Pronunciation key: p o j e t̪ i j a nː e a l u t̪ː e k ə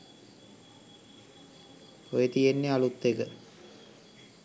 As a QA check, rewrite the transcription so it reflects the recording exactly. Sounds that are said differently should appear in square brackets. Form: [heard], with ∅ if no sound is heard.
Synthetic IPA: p o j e t̪ i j [e] nː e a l u t̪ː e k ə